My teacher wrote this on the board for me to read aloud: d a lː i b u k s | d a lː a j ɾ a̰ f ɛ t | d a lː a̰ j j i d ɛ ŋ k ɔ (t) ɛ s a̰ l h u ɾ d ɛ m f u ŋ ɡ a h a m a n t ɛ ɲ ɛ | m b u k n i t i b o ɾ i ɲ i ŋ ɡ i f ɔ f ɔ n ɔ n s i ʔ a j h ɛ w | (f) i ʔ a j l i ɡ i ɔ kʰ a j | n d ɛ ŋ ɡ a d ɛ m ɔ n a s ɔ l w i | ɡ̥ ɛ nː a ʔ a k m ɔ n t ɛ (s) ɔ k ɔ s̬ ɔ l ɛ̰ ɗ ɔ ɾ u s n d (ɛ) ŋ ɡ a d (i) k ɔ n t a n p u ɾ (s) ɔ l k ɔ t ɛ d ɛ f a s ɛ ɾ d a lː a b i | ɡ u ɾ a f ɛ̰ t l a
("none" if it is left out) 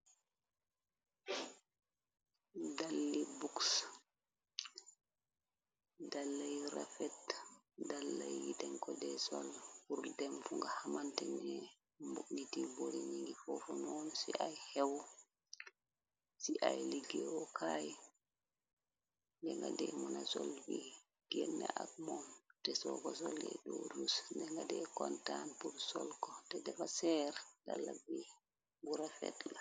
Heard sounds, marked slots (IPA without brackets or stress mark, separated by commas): d, s, s, ɛ, ɛ, s